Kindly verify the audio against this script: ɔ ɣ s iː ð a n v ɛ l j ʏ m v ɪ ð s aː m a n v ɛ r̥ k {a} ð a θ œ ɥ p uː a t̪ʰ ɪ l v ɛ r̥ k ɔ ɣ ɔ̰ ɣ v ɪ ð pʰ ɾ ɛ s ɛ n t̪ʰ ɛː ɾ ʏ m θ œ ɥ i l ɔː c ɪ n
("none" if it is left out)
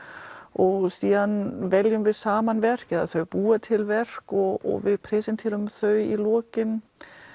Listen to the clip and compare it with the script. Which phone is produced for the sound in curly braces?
ɛ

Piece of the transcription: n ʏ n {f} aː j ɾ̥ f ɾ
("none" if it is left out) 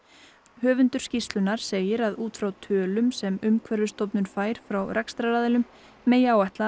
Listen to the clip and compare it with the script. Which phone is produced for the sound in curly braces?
f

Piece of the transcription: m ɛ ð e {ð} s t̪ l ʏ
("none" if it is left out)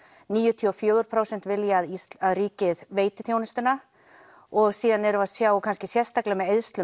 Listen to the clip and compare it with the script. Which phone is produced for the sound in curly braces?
ð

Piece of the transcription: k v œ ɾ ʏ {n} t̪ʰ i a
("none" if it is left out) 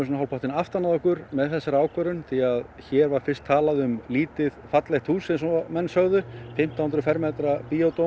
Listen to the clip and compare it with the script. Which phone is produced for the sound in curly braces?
n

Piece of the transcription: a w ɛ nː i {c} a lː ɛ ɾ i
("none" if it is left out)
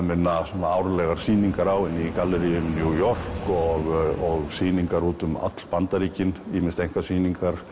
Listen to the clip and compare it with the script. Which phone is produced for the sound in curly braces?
k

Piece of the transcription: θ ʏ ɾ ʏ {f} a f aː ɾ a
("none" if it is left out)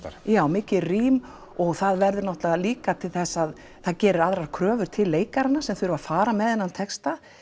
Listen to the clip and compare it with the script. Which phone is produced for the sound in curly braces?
v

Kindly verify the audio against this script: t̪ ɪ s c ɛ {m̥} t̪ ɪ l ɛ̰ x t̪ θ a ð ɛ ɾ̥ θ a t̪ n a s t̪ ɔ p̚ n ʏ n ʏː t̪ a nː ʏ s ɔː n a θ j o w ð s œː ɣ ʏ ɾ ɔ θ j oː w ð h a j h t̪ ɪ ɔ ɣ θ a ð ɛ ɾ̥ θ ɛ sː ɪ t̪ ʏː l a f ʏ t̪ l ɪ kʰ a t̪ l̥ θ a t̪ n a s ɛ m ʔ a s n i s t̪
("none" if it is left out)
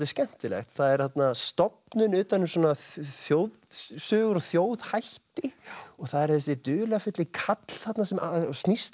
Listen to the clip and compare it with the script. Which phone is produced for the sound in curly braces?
n̥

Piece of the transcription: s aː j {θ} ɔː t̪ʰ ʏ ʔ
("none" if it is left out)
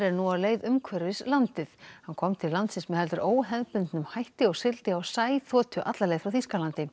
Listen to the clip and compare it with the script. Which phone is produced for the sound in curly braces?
θ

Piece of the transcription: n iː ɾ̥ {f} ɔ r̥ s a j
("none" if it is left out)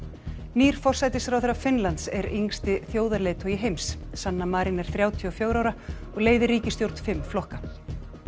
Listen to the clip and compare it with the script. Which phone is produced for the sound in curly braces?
f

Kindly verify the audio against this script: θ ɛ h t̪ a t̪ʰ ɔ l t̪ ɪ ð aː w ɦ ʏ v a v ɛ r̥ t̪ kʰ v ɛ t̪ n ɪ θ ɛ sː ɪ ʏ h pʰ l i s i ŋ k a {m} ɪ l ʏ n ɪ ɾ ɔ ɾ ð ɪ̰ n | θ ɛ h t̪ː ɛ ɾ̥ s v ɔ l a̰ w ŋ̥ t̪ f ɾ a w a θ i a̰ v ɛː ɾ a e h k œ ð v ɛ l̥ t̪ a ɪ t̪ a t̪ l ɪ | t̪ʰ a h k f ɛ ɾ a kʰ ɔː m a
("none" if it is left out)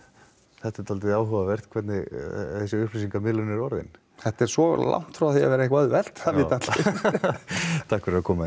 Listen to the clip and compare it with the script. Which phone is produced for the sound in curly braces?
m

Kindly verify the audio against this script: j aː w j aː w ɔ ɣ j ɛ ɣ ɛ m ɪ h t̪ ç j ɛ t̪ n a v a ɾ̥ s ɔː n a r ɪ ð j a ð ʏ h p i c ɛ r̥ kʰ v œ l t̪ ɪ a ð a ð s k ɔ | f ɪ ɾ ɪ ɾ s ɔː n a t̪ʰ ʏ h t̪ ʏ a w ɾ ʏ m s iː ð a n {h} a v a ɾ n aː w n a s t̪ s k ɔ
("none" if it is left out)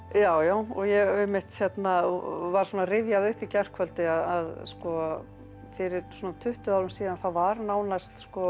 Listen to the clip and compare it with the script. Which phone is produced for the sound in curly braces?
θ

